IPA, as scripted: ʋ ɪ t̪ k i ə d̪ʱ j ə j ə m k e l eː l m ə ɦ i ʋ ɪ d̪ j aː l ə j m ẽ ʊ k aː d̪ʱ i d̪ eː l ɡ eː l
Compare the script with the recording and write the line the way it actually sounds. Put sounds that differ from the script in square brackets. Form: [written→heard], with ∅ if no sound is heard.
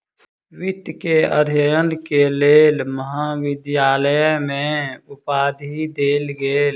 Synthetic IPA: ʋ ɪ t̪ k [i→e] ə d̪ʱ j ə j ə [m→n] k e l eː l m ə ɦ [i→a] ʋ ɪ d̪ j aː l ə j m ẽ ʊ [k→p] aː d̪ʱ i d̪ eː l ɡ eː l